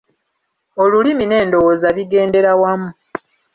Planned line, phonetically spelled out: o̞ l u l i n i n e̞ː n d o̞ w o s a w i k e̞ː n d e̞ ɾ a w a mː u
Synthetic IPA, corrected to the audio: o̞ l u l i m i n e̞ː n d o̞ w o z a β i ɡ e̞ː n d e̞ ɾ a w a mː u